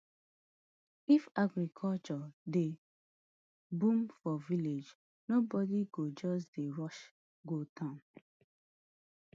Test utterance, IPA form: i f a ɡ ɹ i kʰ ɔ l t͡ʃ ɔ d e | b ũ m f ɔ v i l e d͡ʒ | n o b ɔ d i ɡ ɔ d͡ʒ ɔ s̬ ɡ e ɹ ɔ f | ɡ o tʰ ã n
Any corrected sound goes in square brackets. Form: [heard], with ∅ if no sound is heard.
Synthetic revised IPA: i f a ɡ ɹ i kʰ ɔ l t͡ʃ ɔ d e | b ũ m f ɔ v i l e d͡ʒ | n o b ɔ d i ɡ [o] d͡ʒ ɔ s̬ [d] e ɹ ɔ [ʃ] | ɡ o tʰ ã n

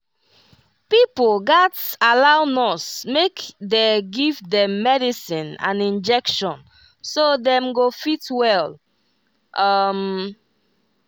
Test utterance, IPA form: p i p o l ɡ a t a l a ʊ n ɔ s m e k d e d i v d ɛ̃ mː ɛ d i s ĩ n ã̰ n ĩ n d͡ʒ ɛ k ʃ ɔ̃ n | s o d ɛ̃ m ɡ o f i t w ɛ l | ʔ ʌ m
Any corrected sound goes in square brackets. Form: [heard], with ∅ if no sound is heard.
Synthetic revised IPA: p i p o l ɡ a t a l a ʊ n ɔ s m e k d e [ɡ] i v d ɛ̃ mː ɛ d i s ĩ n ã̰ n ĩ n d͡ʒ ɛ k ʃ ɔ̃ n | s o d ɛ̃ m ɡ o f i t w ɛ l | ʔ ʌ m

